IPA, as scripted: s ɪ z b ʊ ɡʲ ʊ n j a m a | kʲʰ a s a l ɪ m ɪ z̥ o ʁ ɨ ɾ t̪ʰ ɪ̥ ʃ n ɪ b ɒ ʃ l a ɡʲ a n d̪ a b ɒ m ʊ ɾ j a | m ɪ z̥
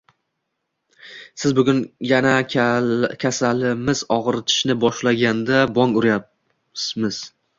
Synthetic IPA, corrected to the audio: s ɪ z b ʊ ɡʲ ʊ n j a n a | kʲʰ a s a l ɪ m ɪ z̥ ɒ ʁ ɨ ɾ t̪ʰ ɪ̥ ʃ n ɪ b ɒ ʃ l a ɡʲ a n d̪ a b ɒ ŋ ʊ ɾ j a | m ɪ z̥